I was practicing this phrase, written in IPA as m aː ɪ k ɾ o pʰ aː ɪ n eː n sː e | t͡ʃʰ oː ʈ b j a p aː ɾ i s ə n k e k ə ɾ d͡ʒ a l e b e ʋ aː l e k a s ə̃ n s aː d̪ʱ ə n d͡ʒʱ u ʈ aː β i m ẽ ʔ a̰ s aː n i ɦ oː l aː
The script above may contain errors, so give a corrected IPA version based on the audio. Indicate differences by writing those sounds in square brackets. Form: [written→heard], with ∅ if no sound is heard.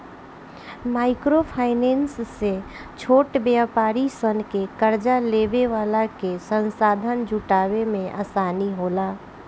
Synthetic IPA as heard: m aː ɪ k ɾ o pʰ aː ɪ n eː n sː e | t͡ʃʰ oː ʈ b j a p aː ɾ i s ə n k e k ə ɾ d͡ʒ a l e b e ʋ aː l [e→a] k [a→e] s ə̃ n s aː d̪ʱ ə n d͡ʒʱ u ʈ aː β [i→e] m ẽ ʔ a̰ s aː n i ɦ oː l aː